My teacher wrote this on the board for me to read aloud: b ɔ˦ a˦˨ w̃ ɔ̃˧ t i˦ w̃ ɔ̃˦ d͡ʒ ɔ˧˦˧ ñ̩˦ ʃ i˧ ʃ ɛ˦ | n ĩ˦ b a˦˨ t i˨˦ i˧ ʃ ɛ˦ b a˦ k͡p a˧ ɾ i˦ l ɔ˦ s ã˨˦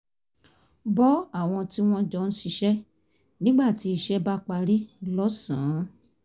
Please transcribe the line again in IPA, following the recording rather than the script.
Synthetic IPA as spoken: b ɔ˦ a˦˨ w̃ ɔ̃˧ t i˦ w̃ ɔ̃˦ d͡ʒ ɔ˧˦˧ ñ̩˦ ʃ i˧ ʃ ɛ˦ | n ĩ˦ ɡ͡b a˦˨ t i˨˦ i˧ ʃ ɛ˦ b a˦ k͡p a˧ ɾ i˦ l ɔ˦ s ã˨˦